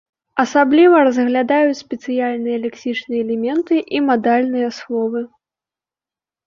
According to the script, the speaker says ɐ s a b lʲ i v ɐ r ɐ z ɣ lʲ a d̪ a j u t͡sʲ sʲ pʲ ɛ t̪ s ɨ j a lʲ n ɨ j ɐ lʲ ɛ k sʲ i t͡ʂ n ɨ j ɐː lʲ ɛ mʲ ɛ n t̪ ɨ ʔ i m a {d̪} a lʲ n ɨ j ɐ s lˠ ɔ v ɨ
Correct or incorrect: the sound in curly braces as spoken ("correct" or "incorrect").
correct